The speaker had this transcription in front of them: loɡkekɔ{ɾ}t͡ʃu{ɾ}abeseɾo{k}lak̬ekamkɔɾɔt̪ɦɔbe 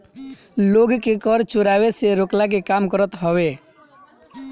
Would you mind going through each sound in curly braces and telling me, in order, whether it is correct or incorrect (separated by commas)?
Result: correct, correct, correct